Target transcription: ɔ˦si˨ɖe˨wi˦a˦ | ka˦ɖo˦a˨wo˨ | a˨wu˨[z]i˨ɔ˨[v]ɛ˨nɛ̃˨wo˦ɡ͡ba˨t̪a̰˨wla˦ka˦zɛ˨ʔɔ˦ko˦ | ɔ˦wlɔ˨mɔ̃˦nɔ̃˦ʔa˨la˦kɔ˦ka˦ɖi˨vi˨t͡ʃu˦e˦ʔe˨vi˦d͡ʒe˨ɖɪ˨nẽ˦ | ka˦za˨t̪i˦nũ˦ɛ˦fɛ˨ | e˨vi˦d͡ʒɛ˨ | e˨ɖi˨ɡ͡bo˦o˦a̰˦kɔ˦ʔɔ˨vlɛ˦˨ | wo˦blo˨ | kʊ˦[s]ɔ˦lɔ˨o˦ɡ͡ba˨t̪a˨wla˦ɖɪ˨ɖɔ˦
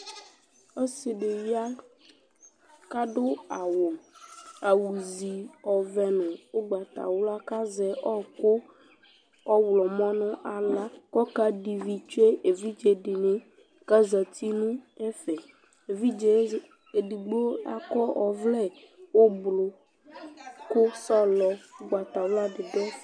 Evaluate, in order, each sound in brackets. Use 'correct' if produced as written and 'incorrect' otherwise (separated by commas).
correct, correct, correct